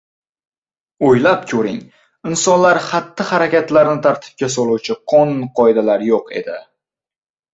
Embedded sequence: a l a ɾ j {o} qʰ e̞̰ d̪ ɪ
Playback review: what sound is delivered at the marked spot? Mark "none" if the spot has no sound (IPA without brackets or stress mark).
o